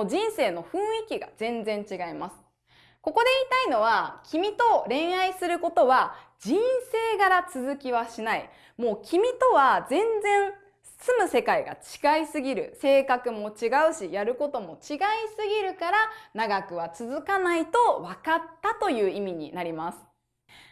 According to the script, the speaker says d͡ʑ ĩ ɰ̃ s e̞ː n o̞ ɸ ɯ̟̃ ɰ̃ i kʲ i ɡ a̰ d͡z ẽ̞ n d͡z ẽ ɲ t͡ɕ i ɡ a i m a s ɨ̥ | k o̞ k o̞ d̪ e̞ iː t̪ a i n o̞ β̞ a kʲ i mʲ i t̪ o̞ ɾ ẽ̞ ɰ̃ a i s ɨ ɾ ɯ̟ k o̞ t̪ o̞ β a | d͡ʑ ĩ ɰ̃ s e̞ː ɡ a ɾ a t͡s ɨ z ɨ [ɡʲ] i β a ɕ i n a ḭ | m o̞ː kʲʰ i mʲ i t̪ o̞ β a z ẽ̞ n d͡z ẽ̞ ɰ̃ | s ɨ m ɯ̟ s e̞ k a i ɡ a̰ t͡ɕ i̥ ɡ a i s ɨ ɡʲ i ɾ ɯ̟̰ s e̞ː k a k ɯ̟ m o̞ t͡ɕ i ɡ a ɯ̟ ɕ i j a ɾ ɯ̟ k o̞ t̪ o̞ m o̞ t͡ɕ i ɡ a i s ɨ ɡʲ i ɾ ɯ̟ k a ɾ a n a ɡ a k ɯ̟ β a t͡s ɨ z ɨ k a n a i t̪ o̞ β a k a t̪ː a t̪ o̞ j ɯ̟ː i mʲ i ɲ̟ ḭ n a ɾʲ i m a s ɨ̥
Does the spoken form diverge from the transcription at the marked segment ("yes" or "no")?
yes